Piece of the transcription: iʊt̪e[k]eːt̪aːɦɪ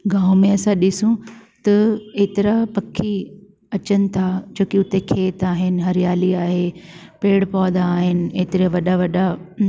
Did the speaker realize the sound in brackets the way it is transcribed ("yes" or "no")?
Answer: no